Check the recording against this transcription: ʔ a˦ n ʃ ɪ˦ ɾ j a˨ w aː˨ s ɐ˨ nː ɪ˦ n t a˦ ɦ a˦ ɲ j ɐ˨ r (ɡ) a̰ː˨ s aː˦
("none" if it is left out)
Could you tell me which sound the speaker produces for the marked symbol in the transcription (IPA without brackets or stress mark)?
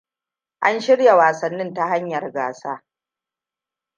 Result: ɡ